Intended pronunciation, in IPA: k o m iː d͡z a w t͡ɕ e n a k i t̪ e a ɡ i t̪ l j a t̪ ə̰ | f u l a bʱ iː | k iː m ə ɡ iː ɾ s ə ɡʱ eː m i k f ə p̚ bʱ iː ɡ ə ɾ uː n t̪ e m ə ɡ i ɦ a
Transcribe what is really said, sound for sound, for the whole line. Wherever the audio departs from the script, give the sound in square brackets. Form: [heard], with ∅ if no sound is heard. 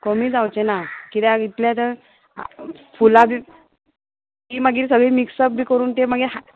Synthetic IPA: k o m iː d͡z a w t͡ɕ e n a k i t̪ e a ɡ i t̪ l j a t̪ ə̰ | f u l a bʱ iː | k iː m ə ɡ iː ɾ s ə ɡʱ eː m i k [s] ə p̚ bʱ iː [k] ə ɾ uː n t̪ e m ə ɡ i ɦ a